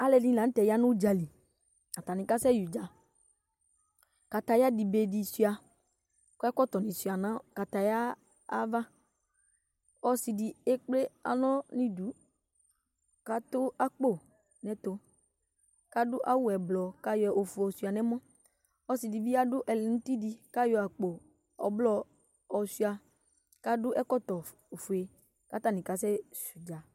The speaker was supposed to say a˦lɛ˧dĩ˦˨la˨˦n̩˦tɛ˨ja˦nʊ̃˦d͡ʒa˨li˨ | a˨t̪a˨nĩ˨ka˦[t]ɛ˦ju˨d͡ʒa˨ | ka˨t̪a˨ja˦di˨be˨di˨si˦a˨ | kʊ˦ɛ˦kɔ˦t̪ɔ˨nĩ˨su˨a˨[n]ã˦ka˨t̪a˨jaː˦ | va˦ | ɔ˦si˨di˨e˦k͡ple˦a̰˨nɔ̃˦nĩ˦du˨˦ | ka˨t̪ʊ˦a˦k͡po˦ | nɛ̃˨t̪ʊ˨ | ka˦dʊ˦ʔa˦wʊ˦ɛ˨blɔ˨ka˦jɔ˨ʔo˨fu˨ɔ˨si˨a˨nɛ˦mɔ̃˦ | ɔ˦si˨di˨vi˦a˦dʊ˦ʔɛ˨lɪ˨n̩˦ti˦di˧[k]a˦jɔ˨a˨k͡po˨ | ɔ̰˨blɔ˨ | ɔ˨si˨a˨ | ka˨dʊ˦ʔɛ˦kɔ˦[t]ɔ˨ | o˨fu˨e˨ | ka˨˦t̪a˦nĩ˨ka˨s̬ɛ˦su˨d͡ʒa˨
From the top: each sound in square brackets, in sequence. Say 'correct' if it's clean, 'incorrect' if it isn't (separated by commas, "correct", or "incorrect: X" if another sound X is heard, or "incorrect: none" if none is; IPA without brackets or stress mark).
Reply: incorrect: s, correct, correct, correct